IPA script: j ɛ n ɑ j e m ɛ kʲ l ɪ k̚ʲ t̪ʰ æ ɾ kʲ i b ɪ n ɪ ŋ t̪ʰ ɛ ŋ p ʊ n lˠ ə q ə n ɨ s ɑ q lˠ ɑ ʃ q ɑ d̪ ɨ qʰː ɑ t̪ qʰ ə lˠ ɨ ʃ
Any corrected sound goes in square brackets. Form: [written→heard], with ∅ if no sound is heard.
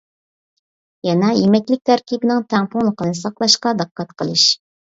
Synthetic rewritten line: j ɛ n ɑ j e m ɛ kʲ l ɪ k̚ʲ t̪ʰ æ ɾ kʲ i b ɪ n ɪ ŋ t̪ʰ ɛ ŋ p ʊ [n→ŋ] lˠ ə q ə n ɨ s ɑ q lˠ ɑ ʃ q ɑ d̪ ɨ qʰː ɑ t̪ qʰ ə lˠ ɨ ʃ